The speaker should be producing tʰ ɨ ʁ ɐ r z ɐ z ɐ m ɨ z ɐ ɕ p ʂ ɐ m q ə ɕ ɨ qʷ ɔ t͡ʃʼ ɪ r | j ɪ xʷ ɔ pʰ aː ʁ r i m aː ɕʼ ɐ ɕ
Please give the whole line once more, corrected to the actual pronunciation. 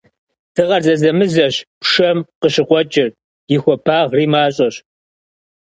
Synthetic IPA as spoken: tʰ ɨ ʁ ɐ r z ɐ z ɐ m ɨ z ɐ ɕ p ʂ ɐ m q ə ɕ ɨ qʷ ɔ t͡ʃʼ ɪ r | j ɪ xʷ ɔ pʰ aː ʁ r iː m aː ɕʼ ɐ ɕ